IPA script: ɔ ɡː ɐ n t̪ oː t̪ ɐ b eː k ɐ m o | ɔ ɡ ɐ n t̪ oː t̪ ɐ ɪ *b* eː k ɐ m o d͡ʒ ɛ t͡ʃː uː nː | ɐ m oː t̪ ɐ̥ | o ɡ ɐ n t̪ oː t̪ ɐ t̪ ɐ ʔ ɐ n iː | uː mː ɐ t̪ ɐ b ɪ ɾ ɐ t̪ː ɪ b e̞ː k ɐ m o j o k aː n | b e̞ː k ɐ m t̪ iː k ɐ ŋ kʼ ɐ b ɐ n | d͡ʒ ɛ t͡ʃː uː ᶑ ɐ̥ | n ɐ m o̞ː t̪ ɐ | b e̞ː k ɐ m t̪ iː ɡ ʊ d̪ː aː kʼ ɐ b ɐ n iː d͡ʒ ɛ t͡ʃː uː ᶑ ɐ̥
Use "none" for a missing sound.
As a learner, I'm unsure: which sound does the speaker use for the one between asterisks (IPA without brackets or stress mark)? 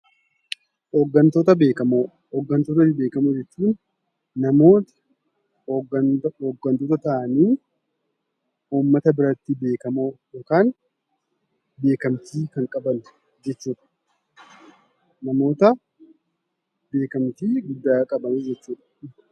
b